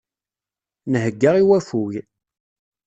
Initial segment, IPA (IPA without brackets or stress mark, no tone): n